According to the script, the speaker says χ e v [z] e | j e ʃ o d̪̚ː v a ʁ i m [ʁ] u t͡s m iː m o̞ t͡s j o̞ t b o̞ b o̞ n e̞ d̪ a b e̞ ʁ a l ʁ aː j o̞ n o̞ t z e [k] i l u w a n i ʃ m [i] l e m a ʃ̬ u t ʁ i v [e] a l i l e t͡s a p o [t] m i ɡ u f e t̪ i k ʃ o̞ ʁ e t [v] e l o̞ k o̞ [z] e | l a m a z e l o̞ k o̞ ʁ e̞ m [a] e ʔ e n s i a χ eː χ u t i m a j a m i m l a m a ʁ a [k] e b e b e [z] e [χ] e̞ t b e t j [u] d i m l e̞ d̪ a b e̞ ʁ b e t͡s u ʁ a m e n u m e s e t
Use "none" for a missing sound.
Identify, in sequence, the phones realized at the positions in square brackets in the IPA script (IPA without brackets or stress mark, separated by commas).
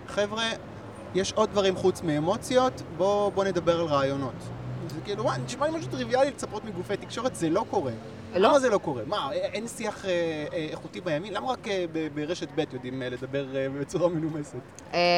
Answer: ʁ, χ, k, a, i, t, z, ʁ, a, k, ʁ, ʃ, o